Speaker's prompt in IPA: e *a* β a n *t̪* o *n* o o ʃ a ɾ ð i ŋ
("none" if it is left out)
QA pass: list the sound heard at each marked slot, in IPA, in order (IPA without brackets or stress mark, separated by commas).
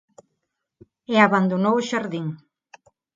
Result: a, d̪, n